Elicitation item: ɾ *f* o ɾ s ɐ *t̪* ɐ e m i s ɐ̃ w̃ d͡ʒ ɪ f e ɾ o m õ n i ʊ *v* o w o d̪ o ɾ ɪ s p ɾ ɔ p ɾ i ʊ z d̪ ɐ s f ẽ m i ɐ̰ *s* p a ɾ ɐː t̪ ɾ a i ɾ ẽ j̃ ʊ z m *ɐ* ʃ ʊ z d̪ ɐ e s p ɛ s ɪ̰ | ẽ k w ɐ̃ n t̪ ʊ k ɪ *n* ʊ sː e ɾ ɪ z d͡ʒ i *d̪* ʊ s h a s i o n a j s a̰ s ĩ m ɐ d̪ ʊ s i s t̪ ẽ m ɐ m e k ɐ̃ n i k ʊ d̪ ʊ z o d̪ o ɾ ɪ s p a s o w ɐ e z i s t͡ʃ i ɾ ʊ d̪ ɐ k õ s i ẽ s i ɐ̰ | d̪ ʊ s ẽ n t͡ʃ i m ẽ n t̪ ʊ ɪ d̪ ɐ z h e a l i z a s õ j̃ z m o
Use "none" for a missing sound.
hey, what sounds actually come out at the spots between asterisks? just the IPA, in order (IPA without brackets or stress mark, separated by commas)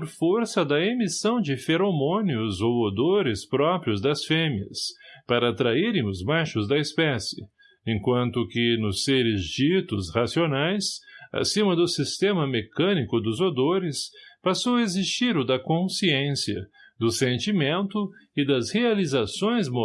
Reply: f, d̪, z, s, a, n, t̪